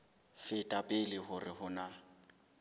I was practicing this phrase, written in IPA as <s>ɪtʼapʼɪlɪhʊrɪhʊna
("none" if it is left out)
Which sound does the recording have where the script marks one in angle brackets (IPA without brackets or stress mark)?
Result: f